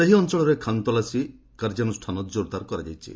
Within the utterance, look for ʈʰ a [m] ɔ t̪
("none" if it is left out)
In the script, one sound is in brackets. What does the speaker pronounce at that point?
n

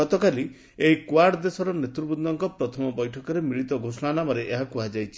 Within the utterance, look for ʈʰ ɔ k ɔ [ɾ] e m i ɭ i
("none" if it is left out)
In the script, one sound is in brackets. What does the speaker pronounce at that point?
ɾ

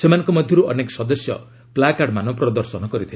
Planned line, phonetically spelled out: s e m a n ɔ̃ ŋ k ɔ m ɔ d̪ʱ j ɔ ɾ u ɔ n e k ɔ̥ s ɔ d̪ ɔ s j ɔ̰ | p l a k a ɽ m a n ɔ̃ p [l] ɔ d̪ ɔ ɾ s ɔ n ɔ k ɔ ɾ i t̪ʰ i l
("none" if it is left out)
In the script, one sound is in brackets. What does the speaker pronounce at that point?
ɾ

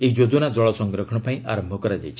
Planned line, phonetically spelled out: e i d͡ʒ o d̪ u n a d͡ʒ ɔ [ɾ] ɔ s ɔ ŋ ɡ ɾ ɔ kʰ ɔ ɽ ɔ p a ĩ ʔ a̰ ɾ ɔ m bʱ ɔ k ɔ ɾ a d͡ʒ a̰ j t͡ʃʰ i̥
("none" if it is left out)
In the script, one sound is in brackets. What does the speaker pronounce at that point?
ɭ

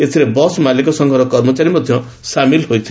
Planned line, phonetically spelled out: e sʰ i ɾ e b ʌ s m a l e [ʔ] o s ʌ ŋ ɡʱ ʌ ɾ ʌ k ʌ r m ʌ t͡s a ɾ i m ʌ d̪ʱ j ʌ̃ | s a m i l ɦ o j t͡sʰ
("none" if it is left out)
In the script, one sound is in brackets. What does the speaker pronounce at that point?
k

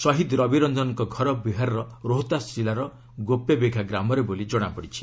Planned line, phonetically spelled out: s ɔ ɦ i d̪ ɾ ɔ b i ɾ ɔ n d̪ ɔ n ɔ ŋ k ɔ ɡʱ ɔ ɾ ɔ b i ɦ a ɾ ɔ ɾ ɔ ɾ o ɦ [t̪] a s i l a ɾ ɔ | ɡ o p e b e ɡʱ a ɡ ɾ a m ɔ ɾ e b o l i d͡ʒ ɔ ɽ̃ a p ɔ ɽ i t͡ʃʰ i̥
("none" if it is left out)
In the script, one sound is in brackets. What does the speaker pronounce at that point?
t̪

